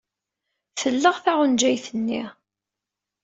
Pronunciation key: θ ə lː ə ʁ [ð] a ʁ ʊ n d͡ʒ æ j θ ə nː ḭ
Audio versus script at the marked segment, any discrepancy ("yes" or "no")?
yes